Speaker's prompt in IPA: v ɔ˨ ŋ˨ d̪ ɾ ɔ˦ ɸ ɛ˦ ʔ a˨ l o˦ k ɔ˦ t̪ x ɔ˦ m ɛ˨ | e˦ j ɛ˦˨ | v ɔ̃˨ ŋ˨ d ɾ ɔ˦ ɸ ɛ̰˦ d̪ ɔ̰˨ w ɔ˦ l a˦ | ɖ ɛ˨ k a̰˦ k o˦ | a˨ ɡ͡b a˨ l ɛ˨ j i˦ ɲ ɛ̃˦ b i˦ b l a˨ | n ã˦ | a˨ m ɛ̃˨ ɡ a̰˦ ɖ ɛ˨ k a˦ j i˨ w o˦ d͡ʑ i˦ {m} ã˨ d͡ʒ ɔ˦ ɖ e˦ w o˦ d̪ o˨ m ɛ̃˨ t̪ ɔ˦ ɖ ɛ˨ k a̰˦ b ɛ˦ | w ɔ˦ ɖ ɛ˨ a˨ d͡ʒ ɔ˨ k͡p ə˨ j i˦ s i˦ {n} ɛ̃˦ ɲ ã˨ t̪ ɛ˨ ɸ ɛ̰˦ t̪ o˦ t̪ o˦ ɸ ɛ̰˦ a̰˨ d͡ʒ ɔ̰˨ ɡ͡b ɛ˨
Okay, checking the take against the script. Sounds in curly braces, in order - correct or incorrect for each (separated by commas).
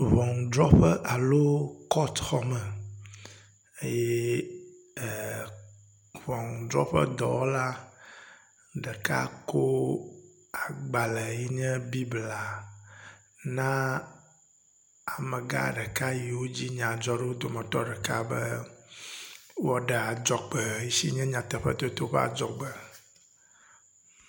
incorrect, incorrect